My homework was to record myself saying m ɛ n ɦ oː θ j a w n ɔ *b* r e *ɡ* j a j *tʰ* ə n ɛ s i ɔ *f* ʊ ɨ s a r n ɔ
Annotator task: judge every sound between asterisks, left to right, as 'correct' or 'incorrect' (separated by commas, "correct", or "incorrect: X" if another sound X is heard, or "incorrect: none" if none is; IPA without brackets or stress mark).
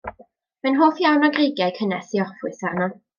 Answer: incorrect: ɡ, correct, incorrect: kʰ, correct